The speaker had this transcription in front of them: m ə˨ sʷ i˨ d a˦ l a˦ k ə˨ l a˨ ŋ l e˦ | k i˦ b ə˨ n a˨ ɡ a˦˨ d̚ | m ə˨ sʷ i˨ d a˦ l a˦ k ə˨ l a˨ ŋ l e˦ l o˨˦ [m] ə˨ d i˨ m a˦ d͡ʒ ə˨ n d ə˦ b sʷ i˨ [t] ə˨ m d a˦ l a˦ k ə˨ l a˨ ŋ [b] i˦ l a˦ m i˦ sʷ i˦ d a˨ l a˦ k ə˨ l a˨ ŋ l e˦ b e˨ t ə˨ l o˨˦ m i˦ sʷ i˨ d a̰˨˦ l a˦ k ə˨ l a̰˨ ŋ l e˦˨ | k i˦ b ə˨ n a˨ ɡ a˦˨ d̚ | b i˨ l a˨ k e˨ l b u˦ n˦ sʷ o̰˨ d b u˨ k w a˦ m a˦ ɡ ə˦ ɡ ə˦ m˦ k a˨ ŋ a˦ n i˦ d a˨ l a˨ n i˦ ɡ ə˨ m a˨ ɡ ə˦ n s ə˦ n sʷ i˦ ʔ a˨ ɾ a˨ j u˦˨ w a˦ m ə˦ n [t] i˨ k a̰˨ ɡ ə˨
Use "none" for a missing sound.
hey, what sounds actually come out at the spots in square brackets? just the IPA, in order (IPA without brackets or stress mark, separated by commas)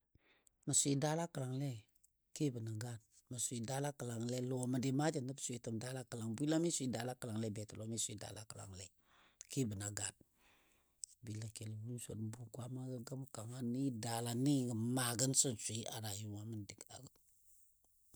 m, t, b, d